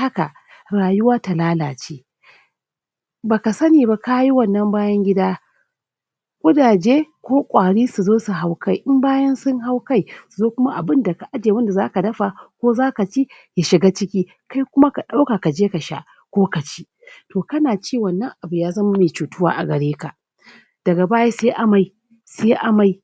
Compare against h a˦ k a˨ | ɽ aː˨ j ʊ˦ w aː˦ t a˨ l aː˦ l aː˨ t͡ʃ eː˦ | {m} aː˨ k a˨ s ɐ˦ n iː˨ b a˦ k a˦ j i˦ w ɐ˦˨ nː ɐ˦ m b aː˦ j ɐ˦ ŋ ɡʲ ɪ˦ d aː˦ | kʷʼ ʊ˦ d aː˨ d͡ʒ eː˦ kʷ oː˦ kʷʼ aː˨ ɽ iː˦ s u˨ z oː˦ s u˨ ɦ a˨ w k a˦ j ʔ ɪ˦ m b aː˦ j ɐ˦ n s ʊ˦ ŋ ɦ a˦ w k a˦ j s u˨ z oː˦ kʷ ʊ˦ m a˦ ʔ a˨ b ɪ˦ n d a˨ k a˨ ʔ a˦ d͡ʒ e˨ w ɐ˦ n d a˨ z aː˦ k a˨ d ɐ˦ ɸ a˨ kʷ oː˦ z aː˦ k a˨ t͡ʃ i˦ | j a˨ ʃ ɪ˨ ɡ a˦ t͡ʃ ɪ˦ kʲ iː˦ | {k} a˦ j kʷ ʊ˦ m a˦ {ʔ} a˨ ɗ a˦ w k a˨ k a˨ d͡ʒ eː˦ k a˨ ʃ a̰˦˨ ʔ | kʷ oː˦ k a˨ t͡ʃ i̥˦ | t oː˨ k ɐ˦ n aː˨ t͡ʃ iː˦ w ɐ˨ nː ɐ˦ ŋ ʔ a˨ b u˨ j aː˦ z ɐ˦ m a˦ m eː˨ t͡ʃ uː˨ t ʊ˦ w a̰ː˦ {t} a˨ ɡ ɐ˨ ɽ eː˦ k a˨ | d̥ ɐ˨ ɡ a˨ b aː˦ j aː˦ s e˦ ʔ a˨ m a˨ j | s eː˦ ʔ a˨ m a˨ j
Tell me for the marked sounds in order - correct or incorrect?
incorrect: b, correct, incorrect: k, incorrect: ʔ

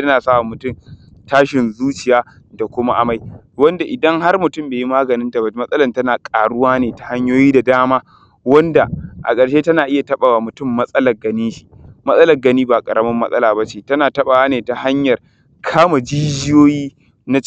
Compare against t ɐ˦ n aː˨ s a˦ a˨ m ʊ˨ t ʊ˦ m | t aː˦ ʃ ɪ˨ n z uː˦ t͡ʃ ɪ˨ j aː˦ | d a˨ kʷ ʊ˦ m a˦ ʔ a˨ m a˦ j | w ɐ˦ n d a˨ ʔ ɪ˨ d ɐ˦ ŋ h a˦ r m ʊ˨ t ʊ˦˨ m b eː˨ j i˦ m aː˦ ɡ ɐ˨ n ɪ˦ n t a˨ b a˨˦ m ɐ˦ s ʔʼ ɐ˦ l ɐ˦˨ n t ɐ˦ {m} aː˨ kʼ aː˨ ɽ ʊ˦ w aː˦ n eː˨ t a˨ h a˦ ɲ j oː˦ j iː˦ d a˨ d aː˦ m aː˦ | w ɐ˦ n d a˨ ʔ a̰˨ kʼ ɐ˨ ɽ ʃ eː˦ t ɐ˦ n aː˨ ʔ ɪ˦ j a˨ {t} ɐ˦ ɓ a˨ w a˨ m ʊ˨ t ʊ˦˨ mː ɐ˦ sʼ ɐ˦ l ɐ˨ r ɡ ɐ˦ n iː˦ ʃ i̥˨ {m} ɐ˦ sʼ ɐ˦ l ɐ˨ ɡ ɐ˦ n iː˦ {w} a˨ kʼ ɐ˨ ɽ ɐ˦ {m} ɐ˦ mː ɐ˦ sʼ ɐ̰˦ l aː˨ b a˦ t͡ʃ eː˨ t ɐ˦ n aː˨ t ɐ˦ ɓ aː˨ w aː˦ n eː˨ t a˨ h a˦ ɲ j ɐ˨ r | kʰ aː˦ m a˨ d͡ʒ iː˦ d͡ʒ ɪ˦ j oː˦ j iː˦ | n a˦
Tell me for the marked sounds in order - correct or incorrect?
incorrect: n, correct, correct, incorrect: b, correct

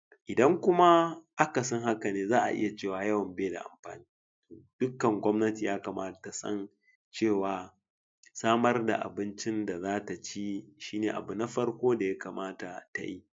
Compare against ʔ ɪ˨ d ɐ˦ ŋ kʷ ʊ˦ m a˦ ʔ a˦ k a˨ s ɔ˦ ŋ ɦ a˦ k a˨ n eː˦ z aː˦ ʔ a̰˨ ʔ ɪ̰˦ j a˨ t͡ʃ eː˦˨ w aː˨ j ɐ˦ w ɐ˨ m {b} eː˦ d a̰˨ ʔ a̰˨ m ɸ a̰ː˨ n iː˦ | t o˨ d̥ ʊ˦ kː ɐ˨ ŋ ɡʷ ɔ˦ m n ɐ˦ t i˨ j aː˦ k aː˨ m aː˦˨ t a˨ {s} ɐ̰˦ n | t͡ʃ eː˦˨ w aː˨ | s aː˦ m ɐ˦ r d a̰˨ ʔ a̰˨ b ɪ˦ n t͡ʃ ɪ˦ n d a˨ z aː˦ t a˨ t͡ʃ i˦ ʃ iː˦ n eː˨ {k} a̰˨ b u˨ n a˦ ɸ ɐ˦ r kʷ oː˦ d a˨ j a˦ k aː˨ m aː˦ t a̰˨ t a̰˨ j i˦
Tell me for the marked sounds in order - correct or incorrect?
correct, correct, incorrect: ʔ

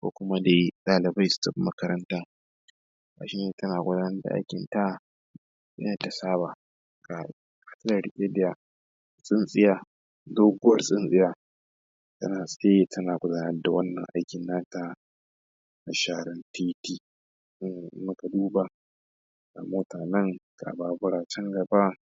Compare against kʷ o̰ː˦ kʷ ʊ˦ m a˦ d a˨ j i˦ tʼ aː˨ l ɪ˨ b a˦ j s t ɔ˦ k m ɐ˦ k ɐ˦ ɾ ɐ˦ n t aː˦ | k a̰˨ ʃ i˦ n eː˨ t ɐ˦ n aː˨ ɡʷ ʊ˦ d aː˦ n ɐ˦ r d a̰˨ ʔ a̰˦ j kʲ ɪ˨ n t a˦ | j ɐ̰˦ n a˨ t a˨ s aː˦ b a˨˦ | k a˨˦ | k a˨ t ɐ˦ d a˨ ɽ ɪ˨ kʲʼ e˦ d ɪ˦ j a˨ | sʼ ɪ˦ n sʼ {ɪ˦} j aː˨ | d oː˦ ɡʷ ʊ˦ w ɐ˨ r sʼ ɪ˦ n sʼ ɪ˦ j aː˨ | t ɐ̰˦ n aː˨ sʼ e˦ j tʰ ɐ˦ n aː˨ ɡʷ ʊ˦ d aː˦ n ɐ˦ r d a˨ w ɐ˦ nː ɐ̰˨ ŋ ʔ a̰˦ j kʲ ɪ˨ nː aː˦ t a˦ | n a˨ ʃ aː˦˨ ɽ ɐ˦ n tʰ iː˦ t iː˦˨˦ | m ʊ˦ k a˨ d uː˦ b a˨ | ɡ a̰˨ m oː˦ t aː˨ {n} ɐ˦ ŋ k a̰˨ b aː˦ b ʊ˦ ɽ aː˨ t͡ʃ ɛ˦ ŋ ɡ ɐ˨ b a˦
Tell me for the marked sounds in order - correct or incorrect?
correct, correct

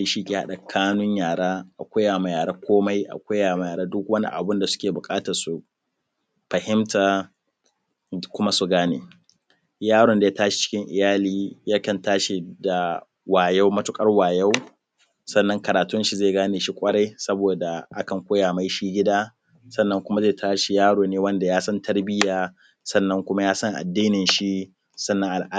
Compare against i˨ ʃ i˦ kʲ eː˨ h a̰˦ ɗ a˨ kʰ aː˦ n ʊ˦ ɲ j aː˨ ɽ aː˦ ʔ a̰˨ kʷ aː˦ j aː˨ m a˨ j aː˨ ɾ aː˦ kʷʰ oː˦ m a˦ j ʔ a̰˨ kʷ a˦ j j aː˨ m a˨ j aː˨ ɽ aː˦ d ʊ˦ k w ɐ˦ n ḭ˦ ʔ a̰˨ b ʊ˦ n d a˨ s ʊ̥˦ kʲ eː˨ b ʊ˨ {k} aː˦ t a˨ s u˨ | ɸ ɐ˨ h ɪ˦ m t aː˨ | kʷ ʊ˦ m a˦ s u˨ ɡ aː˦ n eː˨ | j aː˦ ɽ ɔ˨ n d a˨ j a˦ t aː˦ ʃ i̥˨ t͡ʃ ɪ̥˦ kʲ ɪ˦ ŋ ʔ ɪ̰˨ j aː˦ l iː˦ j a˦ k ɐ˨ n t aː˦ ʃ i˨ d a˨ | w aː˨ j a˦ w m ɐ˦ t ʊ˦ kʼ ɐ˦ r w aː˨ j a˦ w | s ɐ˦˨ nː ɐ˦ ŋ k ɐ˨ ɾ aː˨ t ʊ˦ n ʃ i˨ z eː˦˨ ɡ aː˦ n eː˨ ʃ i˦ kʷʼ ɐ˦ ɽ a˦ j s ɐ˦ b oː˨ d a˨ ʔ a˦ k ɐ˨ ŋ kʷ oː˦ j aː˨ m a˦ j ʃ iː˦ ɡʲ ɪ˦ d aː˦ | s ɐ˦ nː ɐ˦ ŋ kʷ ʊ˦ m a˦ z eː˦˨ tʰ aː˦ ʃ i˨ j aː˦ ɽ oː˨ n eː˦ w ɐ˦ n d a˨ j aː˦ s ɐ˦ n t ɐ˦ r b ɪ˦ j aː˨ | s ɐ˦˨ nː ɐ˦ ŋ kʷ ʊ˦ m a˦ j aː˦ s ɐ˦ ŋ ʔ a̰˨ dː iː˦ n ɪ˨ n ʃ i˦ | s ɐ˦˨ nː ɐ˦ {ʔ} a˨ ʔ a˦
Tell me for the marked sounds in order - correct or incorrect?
incorrect: kʼ, correct

